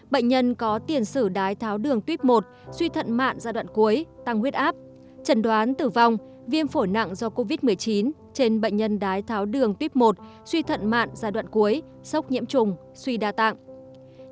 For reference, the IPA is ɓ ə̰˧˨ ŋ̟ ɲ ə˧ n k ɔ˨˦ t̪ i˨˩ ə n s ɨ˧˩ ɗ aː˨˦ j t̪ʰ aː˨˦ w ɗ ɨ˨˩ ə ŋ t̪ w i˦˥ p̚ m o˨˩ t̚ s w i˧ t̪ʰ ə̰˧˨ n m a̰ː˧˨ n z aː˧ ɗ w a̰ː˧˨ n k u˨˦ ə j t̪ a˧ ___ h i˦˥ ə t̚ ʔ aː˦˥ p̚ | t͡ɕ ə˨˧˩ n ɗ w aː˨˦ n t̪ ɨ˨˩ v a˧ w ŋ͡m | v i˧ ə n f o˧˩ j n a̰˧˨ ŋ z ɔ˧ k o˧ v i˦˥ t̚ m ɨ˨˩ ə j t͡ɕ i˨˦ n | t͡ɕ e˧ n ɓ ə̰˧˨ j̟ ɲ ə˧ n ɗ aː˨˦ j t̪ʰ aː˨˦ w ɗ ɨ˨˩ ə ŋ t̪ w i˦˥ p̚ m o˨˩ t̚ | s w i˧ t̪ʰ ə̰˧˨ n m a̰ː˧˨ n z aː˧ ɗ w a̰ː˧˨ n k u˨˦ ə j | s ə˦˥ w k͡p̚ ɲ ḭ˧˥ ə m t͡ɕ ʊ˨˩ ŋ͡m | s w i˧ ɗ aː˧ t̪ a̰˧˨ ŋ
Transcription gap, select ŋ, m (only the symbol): ŋ